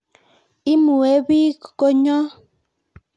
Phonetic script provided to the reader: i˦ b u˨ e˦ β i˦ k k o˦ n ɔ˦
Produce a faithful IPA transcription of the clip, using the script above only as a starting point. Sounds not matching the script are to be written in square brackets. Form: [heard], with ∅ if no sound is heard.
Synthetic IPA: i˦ [m] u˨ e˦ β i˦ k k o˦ [ɲ] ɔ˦